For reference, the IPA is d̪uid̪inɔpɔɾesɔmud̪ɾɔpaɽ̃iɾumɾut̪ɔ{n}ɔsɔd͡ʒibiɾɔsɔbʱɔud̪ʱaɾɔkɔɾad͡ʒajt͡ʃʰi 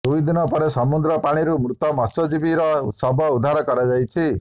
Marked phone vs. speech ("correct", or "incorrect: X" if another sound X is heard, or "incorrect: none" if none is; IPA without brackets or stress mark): incorrect: m